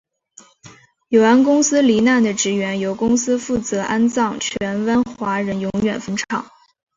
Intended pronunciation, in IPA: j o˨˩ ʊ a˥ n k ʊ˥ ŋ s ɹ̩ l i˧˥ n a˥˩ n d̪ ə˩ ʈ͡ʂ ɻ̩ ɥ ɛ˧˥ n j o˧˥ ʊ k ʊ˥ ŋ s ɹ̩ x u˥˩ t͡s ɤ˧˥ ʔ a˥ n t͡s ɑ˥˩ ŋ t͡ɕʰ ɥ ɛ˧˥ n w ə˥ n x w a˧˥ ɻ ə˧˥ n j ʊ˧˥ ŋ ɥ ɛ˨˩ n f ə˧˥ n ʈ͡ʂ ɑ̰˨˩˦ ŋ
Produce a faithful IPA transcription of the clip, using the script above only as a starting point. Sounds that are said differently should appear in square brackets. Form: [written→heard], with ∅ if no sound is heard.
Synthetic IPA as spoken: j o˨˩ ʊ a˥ n k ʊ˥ ŋ s ɹ̩ l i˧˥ n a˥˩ n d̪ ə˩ ʈ͡ʂ ɻ̩ ɥ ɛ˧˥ n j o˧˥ ʊ k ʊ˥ ŋ s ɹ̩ [x→f] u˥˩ t͡s ɤ˧˥ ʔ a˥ n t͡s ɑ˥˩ ŋ t͡ɕʰ ɥ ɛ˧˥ n w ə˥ n x w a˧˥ ɻ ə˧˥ n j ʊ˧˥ ŋ ɥ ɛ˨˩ n f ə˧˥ n [ʈ͡ʂ→ʈ͡ʂʰ] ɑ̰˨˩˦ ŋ